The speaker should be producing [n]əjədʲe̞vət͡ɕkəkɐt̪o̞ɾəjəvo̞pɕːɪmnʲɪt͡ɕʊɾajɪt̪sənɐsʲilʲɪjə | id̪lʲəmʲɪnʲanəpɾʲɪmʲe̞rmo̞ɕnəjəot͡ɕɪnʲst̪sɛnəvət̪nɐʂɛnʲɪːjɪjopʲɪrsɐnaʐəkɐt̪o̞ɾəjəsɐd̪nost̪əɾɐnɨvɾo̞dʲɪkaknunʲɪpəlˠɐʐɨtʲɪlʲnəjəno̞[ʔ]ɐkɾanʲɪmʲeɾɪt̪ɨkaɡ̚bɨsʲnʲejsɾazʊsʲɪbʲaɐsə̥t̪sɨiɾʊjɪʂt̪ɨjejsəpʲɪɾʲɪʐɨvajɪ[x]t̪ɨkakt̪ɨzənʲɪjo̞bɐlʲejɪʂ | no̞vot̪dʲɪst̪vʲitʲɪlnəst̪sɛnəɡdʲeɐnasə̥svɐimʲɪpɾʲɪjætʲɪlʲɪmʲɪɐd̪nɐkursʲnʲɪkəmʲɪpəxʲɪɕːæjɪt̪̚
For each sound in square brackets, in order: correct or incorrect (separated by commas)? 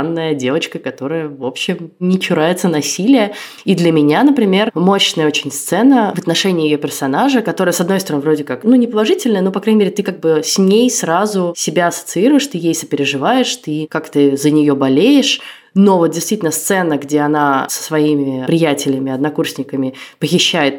incorrect, incorrect, incorrect